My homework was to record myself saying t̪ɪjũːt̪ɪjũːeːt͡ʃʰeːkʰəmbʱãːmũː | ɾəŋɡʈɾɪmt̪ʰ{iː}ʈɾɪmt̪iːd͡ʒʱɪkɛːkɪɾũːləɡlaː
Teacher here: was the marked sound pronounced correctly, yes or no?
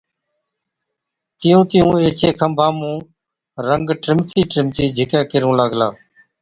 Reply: yes